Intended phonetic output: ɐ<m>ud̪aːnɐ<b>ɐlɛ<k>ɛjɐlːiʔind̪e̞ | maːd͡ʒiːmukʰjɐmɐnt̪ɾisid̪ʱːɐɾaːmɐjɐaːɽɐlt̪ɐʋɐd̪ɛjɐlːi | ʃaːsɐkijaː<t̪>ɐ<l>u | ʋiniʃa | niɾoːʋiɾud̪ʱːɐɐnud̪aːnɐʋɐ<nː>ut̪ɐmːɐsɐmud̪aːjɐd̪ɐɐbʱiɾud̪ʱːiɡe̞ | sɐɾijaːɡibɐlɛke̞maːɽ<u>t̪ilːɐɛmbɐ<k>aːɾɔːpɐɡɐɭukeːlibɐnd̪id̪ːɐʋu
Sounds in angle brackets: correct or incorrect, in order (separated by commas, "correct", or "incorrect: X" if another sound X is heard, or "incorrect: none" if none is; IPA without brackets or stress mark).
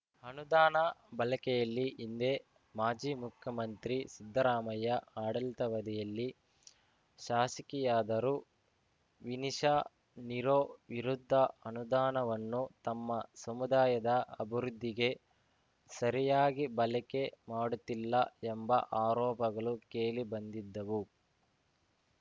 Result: incorrect: n, correct, correct, incorrect: d̪, incorrect: ɾ, correct, correct, incorrect: ʔ